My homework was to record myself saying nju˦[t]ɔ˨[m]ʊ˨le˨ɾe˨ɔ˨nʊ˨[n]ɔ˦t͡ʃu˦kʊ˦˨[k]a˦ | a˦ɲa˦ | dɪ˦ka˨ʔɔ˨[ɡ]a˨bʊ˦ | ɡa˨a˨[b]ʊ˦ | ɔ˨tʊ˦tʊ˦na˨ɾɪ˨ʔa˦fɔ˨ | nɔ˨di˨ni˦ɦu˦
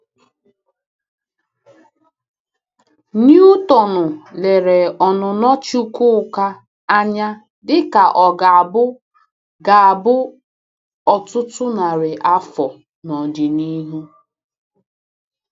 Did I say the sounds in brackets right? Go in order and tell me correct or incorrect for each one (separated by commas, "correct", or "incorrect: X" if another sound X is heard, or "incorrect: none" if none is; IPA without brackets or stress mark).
correct, incorrect: n, correct, correct, correct, correct